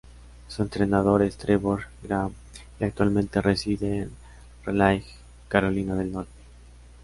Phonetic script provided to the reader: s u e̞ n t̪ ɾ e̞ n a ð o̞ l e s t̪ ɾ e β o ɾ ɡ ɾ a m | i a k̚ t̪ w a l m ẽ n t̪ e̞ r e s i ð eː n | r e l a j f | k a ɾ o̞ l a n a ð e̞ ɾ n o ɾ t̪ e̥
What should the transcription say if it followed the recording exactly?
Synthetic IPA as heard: s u e̞ n t̪ ɾ e̞ n a ð o̞ ɾ e s t̪ ɾ e β o ɾ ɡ ɾ a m | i a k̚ t̪ w a l m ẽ n t̪ e̞ r e s i ð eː n | r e l a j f | k a ɾ o̞ l i n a ð e̞ l n o ɾ t̪ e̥